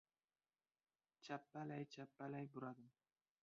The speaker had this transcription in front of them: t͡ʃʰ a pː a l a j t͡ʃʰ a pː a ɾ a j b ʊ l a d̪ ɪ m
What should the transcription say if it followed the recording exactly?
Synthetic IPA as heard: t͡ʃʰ a pː a l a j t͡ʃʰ a pː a l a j b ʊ ɾ a d̪ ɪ m